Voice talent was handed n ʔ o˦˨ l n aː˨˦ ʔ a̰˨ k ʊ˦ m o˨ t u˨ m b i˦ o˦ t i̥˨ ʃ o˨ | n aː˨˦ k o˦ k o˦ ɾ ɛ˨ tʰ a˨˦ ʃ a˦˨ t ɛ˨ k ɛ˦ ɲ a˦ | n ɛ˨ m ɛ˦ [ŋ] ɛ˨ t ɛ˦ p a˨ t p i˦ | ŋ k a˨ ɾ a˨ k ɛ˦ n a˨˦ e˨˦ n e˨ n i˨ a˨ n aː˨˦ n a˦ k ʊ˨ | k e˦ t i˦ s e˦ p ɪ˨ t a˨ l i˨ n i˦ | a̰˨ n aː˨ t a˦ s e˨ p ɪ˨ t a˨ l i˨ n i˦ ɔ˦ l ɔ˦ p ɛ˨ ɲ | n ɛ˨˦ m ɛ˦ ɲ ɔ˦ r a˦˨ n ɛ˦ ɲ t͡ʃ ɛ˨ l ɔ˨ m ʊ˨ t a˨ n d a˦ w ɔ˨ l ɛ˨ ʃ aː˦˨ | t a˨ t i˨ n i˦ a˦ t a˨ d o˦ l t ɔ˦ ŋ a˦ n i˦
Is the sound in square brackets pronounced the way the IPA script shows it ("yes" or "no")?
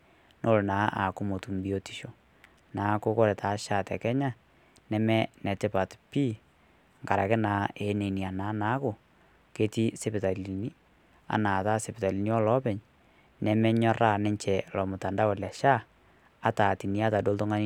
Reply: no